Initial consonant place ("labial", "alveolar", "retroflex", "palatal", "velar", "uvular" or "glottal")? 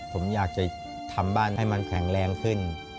labial